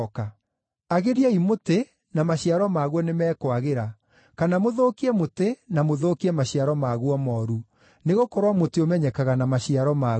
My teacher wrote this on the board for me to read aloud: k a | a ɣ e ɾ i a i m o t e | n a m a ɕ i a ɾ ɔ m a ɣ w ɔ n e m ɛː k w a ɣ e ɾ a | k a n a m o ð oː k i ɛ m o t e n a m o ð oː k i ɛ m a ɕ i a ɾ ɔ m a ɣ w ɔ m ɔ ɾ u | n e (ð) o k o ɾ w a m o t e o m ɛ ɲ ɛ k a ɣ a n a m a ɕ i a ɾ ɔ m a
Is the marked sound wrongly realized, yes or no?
yes